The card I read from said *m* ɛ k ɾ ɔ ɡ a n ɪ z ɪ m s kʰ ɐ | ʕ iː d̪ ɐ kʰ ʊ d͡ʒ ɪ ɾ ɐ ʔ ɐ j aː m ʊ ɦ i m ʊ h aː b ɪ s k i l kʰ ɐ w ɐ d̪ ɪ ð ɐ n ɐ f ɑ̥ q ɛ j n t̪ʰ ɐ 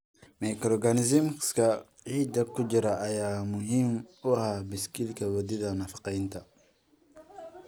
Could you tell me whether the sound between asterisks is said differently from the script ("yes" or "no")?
no